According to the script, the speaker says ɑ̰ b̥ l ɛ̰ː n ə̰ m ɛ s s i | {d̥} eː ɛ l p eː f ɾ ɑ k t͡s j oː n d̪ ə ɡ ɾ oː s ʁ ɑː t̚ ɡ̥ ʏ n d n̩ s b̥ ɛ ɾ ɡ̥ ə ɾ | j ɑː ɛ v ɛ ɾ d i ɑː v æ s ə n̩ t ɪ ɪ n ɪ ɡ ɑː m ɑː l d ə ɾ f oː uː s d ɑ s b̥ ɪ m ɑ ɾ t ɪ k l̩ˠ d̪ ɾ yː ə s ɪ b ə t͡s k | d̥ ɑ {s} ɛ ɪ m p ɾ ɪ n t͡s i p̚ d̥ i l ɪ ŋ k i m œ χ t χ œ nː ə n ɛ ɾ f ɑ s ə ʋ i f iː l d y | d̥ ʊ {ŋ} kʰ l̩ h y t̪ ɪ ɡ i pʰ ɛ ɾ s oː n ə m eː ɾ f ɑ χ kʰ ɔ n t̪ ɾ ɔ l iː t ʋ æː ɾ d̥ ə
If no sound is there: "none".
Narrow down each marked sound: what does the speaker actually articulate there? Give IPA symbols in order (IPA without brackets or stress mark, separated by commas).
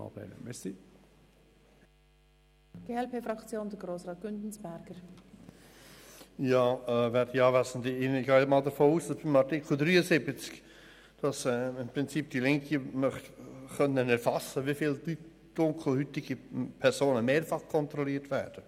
ɡ̥, s, ŋ